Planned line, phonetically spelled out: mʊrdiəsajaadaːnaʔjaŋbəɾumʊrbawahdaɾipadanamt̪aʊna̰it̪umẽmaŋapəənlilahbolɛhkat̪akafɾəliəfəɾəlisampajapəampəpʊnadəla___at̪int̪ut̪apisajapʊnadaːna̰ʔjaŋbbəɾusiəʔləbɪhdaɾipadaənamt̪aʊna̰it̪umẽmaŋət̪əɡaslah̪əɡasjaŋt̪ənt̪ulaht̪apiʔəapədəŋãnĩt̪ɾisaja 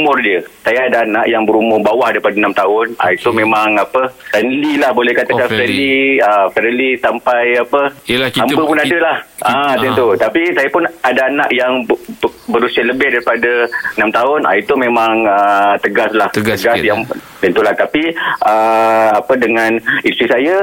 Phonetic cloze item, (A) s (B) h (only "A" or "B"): B